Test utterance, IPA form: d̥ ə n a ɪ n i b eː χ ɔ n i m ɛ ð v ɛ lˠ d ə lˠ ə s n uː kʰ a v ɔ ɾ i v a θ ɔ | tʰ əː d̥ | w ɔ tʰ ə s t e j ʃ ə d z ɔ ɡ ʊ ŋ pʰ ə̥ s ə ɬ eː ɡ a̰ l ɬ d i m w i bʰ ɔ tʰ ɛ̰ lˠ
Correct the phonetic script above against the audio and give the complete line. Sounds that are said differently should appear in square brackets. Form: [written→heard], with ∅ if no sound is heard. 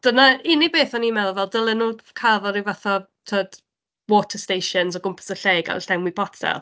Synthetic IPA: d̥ ə n a ɪ n i b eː [χ→θ] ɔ n i m ɛ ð v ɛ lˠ d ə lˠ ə [s→∅] n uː kʰ a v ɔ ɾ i v a θ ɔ | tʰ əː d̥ | w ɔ tʰ ə s t e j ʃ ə [d→n] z ɔ ɡ ʊ [ŋ→m] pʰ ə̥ s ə ɬ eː ɡ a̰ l ɬ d [i→ɛ] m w i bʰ ɔ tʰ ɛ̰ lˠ